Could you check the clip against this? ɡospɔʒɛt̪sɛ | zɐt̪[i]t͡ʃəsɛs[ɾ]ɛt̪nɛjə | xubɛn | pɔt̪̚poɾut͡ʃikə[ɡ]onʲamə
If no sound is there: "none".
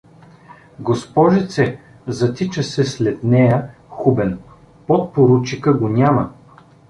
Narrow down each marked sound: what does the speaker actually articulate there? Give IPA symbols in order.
i, l, ɡ

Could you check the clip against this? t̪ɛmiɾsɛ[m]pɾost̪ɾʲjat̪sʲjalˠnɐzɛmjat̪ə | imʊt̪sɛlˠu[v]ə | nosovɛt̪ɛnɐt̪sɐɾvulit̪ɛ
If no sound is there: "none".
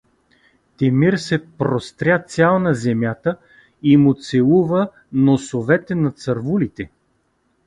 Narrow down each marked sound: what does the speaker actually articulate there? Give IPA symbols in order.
none, v

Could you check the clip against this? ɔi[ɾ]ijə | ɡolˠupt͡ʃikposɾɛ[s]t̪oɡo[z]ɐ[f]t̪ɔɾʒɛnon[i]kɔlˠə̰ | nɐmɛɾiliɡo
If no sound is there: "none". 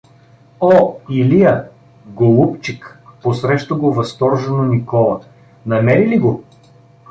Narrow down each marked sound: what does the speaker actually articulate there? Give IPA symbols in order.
l, ʃ, v, s, i

